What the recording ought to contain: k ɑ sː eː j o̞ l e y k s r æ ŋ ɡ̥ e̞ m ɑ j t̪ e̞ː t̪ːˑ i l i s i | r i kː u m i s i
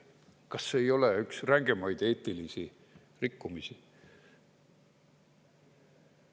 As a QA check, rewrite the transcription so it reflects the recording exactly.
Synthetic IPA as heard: k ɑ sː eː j o̞ l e y k s r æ ŋ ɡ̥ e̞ m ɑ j d̪ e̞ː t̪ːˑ i l i s i | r i kː u m i s i